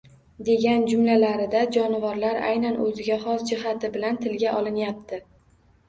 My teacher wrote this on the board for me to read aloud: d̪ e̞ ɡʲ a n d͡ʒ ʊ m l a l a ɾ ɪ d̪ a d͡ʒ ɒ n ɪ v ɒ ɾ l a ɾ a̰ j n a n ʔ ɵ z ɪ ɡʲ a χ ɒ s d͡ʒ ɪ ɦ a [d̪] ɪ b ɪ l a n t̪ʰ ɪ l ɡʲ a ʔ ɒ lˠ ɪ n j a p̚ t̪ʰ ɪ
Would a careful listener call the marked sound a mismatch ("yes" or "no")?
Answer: yes